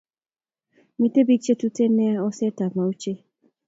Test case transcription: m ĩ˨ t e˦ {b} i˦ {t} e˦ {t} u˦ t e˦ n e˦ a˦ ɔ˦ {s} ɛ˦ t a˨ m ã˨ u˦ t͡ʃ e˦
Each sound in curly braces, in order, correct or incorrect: correct, incorrect: t͡ʃ, correct, correct

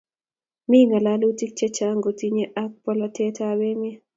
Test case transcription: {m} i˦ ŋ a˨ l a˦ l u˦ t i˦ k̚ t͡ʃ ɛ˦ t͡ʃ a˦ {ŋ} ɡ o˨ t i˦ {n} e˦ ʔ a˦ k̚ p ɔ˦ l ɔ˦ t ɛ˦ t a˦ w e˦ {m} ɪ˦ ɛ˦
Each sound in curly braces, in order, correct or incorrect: correct, correct, incorrect: ɲ, correct

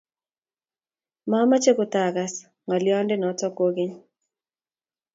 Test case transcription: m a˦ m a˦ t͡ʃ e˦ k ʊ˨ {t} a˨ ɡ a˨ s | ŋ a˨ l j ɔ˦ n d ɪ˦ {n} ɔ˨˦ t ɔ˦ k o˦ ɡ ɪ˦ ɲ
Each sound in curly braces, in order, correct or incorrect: correct, correct

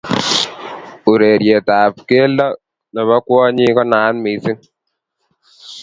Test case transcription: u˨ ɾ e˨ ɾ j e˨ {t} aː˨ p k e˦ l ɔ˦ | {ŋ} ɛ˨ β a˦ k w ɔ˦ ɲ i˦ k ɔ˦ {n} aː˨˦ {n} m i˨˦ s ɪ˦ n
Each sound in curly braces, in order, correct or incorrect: correct, incorrect: n, correct, correct

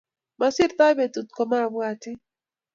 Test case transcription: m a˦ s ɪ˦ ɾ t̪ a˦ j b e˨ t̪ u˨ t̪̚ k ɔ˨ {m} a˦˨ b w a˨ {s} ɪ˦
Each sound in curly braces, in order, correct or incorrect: correct, incorrect: t

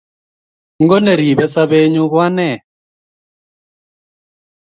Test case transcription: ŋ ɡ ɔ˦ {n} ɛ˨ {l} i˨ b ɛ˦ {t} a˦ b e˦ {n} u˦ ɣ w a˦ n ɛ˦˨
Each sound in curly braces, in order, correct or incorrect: correct, incorrect: ɾ, incorrect: s, incorrect: ɲ

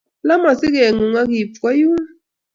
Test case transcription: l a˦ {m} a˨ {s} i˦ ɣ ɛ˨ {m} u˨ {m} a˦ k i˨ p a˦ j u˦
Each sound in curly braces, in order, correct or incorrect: correct, correct, incorrect: ŋ, incorrect: ŋ

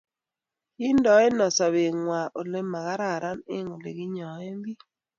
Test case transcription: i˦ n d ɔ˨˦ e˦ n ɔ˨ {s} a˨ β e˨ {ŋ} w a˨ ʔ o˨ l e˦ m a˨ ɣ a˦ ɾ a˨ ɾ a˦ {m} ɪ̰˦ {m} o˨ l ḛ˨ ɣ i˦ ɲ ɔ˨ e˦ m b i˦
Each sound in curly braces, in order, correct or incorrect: correct, correct, incorrect: n, incorrect: ŋ

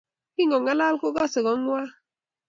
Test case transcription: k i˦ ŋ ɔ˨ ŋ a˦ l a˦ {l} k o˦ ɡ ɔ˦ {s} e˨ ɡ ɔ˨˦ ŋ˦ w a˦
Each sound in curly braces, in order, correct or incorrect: correct, correct

